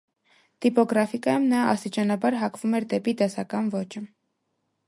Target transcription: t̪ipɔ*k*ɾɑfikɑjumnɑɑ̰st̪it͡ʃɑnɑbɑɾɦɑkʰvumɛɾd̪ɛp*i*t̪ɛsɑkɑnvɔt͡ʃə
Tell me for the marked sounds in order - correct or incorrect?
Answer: incorrect: ɡ, correct

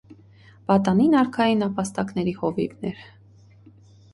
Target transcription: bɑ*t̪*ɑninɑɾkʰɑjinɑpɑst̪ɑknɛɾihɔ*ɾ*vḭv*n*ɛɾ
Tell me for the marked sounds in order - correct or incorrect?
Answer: correct, incorrect: none, correct

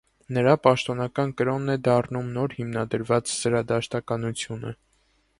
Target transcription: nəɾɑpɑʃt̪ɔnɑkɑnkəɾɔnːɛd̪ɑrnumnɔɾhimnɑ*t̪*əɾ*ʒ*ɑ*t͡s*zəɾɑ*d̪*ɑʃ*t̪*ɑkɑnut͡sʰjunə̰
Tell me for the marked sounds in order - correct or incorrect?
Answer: incorrect: d̪, incorrect: v, correct, correct, correct

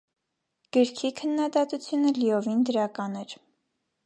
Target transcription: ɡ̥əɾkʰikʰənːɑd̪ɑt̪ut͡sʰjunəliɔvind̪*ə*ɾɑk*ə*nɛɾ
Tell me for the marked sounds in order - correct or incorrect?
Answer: correct, incorrect: ɑ

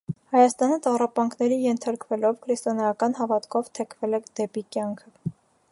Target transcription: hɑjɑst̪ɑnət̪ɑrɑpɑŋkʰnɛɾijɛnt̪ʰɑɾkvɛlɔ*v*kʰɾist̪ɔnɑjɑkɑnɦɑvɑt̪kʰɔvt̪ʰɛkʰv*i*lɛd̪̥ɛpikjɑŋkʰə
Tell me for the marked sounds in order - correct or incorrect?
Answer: correct, incorrect: ɛ

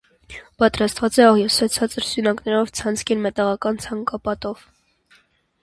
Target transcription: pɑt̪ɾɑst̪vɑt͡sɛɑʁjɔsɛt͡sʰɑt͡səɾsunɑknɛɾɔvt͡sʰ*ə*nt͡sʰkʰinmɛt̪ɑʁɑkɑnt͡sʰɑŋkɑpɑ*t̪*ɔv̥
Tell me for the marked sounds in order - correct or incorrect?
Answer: incorrect: ɑ, correct

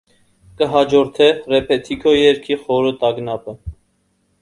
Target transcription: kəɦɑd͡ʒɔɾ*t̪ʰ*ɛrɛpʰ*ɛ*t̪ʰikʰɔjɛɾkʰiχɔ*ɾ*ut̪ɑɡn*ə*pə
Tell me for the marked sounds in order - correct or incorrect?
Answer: correct, correct, correct, incorrect: ɑ

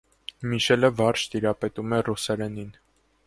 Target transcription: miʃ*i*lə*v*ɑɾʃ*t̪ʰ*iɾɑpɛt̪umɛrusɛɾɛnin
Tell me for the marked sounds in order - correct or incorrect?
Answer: incorrect: ɛ, correct, incorrect: t̪

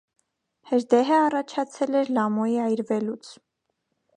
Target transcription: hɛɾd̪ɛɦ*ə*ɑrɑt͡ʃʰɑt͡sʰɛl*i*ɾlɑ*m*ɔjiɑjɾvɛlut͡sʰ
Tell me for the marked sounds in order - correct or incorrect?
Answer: correct, incorrect: ɛ, correct

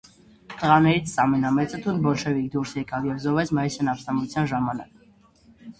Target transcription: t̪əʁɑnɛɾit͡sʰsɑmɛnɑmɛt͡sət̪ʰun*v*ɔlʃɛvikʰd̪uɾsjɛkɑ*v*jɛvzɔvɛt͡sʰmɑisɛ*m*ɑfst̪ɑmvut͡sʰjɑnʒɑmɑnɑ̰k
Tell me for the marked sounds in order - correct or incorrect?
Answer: incorrect: b, correct, incorrect: n

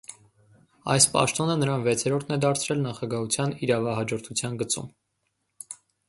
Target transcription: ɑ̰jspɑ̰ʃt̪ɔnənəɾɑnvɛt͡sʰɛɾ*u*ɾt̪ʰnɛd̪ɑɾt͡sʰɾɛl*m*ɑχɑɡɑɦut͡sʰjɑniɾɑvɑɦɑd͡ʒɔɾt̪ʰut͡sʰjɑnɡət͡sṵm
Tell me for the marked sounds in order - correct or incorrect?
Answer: incorrect: ɔ, incorrect: n

